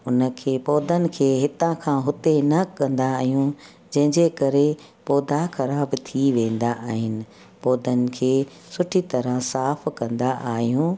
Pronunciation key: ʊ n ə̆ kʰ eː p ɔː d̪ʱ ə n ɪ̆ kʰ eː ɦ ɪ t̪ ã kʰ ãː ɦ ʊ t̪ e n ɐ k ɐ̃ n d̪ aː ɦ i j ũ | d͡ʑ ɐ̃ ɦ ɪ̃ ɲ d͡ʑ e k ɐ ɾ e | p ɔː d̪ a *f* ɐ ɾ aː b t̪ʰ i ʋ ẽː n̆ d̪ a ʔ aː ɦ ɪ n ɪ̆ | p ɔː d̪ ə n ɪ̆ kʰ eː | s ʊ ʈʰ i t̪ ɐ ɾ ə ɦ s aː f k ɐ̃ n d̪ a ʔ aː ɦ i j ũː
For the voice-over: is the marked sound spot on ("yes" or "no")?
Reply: no